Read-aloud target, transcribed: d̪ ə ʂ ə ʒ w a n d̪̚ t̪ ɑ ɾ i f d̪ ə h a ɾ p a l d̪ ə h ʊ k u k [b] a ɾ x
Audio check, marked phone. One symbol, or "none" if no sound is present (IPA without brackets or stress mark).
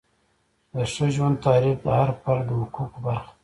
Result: b